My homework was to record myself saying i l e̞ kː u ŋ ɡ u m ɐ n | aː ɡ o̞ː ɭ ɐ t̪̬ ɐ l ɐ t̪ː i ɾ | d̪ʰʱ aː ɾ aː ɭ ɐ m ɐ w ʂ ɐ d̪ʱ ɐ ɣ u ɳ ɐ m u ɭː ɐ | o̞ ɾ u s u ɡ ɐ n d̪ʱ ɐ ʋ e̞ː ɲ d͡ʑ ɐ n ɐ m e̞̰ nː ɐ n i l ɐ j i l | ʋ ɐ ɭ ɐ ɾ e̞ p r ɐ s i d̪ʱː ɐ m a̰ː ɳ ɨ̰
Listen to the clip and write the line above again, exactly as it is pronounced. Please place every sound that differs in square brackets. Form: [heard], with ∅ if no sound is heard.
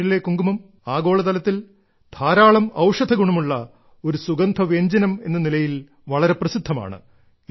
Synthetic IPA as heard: i l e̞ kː u ŋ ɡ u m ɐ [m] | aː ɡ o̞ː ɭ ɐ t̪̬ ɐ l ɐ t̪ː i [l] | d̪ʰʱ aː ɾ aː ɭ ɐ m ɐ w ʂ ɐ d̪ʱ ɐ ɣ u ɳ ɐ m u ɭː ɐ | o̞ ɾ u s u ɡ ɐ n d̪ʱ ɐ ʋ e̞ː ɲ d͡ʑ ɐ n ɐ m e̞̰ nː ɐ n i l ɐ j i l | ʋ ɐ ɭ ɐ ɾ e̞ p r ɐ s i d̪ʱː ɐ m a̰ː ɳ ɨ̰